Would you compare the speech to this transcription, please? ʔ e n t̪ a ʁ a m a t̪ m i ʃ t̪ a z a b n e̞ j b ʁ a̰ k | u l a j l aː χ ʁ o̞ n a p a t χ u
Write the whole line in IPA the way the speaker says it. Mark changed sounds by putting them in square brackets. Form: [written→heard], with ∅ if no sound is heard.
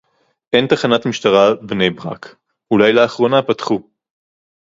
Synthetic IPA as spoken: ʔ e n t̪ a [ʁ→χ] a [m→n] a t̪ m i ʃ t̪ a [z→ʁ] a b n e̞ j b ʁ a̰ k | u l a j l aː χ ʁ o̞ n a p a t χ u